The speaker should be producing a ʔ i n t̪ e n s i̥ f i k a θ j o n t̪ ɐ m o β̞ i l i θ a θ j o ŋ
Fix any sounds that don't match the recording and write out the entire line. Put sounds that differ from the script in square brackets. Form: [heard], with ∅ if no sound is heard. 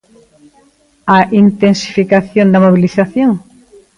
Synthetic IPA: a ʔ i n t̪ e n s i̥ f i k a θ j o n [d̪] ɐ m o β̞ i l i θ a θ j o ŋ